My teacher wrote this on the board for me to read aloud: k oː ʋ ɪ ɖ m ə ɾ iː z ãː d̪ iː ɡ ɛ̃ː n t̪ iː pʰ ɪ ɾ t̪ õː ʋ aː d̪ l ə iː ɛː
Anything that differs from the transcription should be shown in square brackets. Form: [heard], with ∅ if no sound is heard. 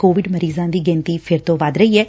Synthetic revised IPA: k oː ʋ ɪ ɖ m ə ɾ iː z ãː d̪ iː ɡ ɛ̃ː n t̪ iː pʰ ɪ ɾ t̪ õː ʋ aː d̪ [ɾ] ə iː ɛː